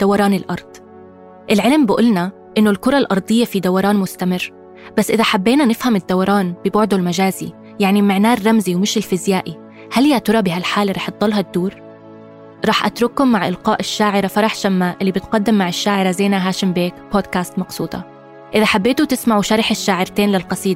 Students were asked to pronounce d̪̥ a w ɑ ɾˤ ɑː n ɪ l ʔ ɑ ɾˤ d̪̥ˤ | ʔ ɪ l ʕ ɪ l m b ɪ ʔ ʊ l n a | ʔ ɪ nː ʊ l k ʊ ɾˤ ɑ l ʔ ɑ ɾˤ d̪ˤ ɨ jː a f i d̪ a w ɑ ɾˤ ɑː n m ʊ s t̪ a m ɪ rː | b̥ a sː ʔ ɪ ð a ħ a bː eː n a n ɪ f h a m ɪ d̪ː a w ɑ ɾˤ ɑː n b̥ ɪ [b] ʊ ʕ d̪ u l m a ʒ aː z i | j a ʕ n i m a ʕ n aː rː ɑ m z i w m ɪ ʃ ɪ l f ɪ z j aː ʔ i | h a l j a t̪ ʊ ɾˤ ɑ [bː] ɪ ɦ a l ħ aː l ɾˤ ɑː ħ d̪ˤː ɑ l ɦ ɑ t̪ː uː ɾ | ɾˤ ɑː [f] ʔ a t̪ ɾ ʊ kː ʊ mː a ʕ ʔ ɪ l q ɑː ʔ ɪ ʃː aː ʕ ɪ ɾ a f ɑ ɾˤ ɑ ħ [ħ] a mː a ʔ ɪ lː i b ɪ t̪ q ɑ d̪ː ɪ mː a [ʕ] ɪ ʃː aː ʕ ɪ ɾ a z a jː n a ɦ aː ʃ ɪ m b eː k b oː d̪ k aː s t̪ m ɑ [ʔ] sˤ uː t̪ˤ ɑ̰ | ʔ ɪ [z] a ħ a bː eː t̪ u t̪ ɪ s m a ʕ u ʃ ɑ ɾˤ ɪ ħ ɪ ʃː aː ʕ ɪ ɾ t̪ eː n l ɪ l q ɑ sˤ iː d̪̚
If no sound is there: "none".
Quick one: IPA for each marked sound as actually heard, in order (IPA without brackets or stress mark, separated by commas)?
b, b, ħ, ʃ, ʕ, q, ð